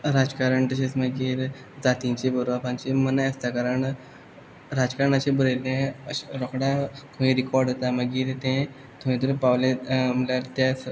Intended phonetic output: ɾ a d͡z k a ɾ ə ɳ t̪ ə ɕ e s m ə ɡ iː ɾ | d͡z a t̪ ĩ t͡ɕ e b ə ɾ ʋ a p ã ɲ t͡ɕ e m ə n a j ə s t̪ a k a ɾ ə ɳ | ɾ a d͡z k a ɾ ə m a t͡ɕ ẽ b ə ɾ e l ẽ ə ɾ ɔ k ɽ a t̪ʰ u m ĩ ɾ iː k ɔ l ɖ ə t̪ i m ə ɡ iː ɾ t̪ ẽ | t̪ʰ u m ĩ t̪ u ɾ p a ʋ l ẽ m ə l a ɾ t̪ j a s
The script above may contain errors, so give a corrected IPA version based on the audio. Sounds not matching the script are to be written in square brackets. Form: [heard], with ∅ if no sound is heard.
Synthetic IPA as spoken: ɾ a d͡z k a ɾ ə ɳ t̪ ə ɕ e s m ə ɡ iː ɾ | d͡z a t̪ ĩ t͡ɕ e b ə ɾ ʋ a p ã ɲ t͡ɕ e m ə n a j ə s t̪ a k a ɾ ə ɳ | ɾ a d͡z k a ɾ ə [ɳ] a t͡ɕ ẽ b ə ɾ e l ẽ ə ɾ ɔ k ɽ a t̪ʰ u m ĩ ɾ [i] k ɔ [ɾ] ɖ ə t̪ [a] m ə ɡ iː ɾ t̪ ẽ | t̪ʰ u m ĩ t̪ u ɾ p a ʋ l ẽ m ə l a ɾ t̪ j a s